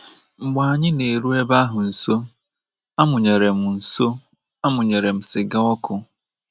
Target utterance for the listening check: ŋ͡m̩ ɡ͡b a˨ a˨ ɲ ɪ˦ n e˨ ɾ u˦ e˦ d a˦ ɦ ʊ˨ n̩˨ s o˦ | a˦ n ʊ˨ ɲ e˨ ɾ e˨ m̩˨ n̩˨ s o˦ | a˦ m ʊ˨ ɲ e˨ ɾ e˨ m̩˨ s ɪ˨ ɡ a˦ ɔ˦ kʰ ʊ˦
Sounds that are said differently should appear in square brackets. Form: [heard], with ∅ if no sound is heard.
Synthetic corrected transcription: ŋ͡m̩ ɡ͡b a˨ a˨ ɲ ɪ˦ n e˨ ɾ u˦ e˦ [b] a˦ ɦ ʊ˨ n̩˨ s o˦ | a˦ [m] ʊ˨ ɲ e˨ ɾ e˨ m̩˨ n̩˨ s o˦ | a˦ m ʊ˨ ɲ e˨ ɾ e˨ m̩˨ s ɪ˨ ɡ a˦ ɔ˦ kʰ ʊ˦